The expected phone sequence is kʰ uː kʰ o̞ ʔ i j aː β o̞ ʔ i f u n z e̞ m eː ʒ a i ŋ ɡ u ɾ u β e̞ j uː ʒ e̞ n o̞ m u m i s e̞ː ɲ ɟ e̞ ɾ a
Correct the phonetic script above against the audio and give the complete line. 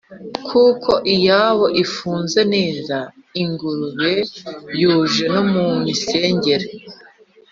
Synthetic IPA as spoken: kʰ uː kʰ o̞ ʔ i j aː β o̞ ʔ i f uː n z e̞ n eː z a i ŋ ɡ u ɾ u β e̞ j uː ʒ e̞ n o̞ m u m i s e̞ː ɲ ɟ e̞ ɾ e